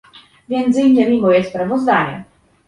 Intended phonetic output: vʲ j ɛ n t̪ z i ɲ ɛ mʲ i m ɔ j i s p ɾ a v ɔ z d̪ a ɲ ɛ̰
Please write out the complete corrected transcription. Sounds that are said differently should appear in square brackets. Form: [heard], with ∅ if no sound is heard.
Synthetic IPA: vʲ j ɛ n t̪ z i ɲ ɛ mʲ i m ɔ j [ɛ] s p ɾ a v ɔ z d̪ a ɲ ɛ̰